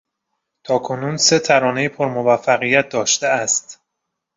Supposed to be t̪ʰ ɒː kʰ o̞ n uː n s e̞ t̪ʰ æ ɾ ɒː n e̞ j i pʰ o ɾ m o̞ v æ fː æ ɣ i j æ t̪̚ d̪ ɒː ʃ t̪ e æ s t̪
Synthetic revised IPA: t̪ʰ ɒː kʰ o̞ n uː n s e̞ t̪ʰ æ ɾ ɒː n e̞ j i pʰ o ɾ m o̞ v æ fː æ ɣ i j æ t̪̚ d̪ ɒː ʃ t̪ e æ s t̪